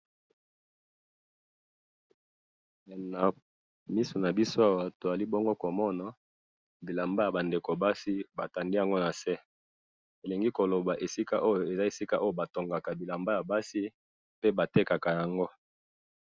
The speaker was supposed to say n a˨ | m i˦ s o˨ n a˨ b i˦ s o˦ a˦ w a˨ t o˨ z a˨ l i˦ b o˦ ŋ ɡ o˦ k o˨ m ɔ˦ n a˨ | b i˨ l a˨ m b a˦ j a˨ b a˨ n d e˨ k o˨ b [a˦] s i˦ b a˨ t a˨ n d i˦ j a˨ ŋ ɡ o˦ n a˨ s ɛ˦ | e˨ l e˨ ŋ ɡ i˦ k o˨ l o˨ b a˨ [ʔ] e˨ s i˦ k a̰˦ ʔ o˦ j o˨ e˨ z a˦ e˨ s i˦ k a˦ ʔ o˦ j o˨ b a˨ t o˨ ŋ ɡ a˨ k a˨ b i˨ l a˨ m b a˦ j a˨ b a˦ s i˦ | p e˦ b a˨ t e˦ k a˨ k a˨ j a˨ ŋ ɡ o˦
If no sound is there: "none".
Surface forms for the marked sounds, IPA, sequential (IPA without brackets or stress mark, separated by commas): a˦, ʔ